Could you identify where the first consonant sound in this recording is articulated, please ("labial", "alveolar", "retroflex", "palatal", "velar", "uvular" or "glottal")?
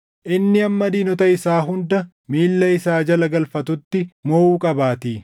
glottal